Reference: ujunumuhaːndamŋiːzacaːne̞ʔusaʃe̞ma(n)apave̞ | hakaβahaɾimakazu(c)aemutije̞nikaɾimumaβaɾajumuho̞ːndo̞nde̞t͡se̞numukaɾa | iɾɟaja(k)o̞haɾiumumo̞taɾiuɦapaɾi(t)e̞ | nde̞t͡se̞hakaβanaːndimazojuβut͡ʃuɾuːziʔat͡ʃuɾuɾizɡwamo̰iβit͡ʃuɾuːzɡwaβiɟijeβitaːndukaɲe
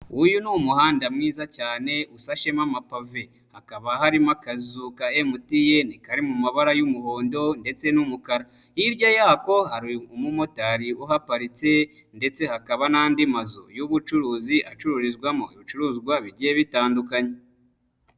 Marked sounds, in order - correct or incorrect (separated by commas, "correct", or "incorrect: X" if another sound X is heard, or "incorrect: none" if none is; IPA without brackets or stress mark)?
incorrect: m, incorrect: k, correct, incorrect: t͡s